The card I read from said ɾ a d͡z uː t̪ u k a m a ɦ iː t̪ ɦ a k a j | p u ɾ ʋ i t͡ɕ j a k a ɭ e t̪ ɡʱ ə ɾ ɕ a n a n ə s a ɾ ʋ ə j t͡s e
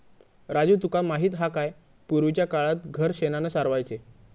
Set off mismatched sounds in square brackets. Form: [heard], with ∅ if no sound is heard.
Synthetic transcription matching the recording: ɾ a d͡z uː t̪ u k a m a ɦ iː t̪ ɦ a k a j | p u ɾ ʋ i t͡ɕ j a k a ɭ [a] t̪ ɡʱ ə ɾ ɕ [e] n a n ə s a ɾ ʋ [a] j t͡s e